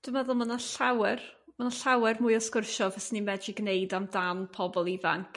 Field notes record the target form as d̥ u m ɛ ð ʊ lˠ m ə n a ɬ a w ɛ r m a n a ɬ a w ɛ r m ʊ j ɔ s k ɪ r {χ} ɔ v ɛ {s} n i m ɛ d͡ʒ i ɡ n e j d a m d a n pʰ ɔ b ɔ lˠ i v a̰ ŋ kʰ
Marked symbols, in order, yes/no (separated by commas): no, yes